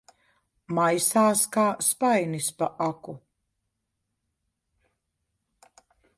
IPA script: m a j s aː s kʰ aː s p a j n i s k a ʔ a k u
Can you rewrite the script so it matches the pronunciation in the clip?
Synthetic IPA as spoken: m a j s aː s k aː s p a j n i s p a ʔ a k u